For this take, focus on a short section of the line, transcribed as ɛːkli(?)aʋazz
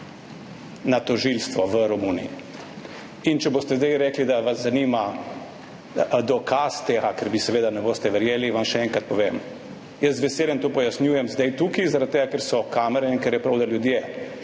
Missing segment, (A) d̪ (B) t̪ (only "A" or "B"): A